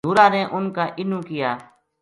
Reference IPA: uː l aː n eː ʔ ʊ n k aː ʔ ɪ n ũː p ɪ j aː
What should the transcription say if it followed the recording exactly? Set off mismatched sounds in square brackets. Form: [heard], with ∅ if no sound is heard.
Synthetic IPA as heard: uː [ɾ] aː n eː ʔ ʊ n k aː ʔ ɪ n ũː [k] ɪ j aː